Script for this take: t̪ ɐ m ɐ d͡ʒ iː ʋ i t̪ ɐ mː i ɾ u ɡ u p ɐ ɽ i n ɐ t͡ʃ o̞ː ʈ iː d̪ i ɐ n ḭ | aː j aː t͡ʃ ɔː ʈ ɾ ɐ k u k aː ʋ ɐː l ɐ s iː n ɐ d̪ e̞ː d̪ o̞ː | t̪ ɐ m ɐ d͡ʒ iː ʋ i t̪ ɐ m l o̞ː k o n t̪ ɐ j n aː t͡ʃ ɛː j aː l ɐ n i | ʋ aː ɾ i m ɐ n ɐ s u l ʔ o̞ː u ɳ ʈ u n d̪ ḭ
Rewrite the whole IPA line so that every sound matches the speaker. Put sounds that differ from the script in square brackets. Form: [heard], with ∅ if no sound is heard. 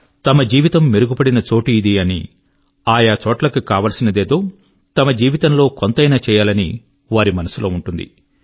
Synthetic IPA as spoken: t̪ ɐ m ɐ d͡ʒ iː ʋ i t̪ ɐ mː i ɾ u ɡ u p ɐ ɽ i n ɐ t͡ʃ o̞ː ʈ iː d̪ i ɐ n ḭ | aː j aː t͡ʃ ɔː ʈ [l] ɐ k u k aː ʋ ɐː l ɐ s [i] n ɐ d̪ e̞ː d̪ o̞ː | t̪ ɐ m ɐ d͡ʒ iː ʋ i t̪ ɐ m l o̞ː k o n t̪ ɐ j n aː t͡ʃ ɛː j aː l ɐ n i | ʋ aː ɾ i m ɐ n ɐ s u l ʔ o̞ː u ɳ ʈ u n d̪ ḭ

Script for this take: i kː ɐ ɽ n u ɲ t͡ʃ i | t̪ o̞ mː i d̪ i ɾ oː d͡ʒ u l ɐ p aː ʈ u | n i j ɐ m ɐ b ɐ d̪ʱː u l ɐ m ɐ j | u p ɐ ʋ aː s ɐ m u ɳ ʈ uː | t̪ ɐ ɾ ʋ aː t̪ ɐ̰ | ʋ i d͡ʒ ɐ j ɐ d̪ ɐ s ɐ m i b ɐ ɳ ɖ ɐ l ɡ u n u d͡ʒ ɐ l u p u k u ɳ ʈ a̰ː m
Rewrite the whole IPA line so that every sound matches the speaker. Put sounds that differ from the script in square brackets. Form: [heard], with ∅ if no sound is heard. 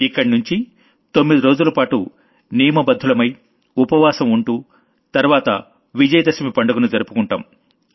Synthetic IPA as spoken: i kː ɐ ɽ n u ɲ t͡ʃ i | t̪ o̞ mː i d̪ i ɾ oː d͡ʒ u l ɐ p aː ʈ u | n i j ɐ m ɐ b ɐ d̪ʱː u l ɐ m ɐ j | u p ɐ ʋ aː s ɐ m u ɳ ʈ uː | t̪ ɐ ɾ ʋ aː t̪ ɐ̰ | ʋ i d͡ʒ ɐ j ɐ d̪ ɐ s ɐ m i [p] ɐ ɳ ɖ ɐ [∅] ɡ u n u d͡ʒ ɐ [ɾ] u p u k u ɳ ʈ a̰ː m

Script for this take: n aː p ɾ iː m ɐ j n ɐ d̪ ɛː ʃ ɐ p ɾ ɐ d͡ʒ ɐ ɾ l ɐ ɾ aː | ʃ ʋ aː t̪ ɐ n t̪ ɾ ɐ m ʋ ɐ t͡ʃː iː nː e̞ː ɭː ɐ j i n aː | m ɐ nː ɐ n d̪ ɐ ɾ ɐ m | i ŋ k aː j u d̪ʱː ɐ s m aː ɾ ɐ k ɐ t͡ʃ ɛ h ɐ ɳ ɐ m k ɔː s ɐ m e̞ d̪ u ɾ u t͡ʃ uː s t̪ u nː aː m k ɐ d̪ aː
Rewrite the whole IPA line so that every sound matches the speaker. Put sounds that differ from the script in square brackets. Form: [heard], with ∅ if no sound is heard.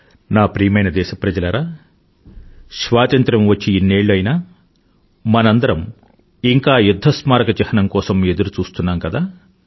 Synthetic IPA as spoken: n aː p ɾ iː m ɐ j n ɐ d̪ ɛː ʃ ɐ p ɾ ɐ d͡ʒ ɐ [∅] l ɐ ɾ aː | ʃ ʋ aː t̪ ɐ n t̪ ɾ ɐ m ʋ ɐ t͡ʃː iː nː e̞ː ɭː ɐ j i n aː | m ɐ [n] ɐ n d̪ ɐ ɾ ɐ m | i ŋ k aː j u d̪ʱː ɐ s m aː ɾ ɐ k ɐ t͡ʃ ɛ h ɐ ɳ ɐ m k ɔː s ɐ m e̞ d̪ u ɾ u t͡ʃ uː s t̪ u nː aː m k ɐ d̪ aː

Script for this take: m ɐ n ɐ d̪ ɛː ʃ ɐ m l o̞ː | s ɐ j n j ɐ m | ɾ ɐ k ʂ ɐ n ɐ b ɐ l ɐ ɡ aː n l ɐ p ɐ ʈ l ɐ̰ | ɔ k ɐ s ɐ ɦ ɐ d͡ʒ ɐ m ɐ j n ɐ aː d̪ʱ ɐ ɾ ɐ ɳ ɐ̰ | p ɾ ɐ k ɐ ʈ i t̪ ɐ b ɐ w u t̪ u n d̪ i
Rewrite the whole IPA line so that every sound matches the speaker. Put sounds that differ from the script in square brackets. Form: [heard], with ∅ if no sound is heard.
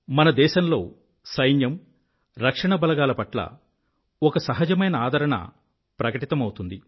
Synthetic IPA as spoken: m ɐ n ɐ d̪ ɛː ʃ ɐ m l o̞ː | s ɐ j n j ɐ m | ɾ ɐ k ʂ ɐ [ɳ] ɐ b ɐ l ɐ ɡ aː [∅] l ɐ p ɐ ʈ l ɐ̰ | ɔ k ɐ s ɐ ɦ ɐ d͡ʒ ɐ m ɐ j n ɐ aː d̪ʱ ɐ ɾ ɐ ɳ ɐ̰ | p ɾ ɐ k ɐ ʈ i t̪ ɐ [m] ɐ w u t̪ u n d̪ i

